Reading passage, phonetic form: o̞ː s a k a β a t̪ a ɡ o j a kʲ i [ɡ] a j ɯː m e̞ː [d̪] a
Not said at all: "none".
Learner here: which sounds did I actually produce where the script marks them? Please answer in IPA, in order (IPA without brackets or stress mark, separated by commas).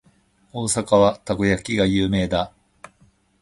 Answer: ɡ, d̪